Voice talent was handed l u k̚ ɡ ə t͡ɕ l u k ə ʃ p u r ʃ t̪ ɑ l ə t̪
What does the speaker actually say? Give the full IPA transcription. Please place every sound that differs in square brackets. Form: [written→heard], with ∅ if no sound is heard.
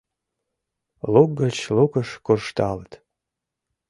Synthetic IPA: l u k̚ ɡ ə t͡ɕ l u k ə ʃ [p→k] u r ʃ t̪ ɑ l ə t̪